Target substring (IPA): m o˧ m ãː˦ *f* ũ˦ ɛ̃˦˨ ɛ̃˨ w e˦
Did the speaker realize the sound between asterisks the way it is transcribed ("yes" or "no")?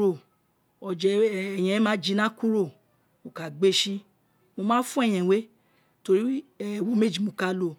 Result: yes